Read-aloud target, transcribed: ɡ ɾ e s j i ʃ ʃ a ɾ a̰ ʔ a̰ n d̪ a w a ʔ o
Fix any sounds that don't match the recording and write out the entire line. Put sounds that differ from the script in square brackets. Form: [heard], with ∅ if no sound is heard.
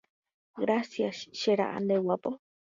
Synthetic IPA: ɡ ɾ [a] s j [a] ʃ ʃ [e] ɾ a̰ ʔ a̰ n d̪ [e] w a [p] o